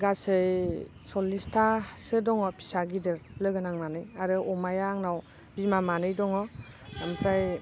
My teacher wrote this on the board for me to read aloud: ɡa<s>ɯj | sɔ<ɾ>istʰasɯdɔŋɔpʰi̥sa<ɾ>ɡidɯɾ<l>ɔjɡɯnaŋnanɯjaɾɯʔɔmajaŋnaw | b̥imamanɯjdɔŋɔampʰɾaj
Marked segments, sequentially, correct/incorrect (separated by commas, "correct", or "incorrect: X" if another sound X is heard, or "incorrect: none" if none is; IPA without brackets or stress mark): correct, incorrect: l, incorrect: none, correct